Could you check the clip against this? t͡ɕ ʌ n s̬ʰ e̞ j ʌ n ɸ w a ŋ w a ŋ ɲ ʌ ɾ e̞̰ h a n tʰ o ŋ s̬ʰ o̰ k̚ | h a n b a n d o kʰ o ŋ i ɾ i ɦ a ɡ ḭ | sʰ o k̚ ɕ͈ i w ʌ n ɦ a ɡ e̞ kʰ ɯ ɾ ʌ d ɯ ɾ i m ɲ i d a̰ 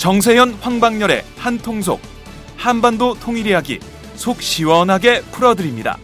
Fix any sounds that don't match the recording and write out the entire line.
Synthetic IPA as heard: t͡ɕ ʌ ŋ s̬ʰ e̞ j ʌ n ɸ w a ŋ b a ŋ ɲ ʌ ɾ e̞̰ h a n tʰ o ŋ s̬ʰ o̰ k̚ | h a n b a n d o tʰ o ŋ i ɾ i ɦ a ɡ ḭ | sʰ o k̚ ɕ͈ i w ʌ n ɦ a ɡ e̞ pʰ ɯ ɾ ʌ d ɯ ɾ i m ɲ i d a̰